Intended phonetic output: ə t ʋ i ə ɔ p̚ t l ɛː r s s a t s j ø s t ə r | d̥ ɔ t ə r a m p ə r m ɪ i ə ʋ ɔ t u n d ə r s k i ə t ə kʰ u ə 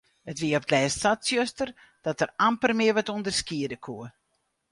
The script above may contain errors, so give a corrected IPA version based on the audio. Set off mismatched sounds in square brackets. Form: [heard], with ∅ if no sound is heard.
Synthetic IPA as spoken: ə t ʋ i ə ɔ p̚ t l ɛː [∅] s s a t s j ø s t ə r | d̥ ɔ t ə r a m p ə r m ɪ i ə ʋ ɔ t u n d ə r s k i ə [d] ə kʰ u ə